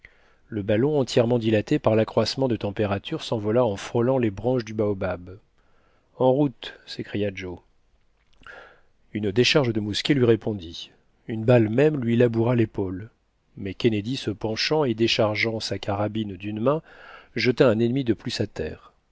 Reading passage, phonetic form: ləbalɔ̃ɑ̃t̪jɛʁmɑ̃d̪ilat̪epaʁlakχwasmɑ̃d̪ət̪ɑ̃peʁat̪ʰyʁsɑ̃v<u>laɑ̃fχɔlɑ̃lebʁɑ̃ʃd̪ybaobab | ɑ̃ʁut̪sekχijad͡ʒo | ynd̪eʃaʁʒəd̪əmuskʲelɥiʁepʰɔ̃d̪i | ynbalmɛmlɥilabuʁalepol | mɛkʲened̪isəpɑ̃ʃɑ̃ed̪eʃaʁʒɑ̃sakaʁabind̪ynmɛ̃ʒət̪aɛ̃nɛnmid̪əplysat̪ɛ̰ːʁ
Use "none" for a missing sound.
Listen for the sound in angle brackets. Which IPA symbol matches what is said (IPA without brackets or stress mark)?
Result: ɔ